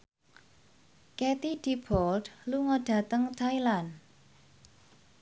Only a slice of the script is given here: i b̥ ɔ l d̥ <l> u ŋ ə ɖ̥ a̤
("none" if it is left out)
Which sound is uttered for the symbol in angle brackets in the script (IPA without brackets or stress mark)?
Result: l